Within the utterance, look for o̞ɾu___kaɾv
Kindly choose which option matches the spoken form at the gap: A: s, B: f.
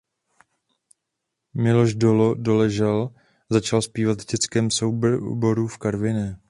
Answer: B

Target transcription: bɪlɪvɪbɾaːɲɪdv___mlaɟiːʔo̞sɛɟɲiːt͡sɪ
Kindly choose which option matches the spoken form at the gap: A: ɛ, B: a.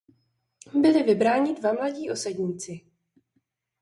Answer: B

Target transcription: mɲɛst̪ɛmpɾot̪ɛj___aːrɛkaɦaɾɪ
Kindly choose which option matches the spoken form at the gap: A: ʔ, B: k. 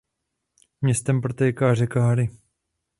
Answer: B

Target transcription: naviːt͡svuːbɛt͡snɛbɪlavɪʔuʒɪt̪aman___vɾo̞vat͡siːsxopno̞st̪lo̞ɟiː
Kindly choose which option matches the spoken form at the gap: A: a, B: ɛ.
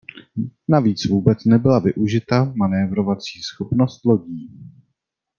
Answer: B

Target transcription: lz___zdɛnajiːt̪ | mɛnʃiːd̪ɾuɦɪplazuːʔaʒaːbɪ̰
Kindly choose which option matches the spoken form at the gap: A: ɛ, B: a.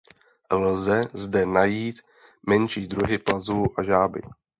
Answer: A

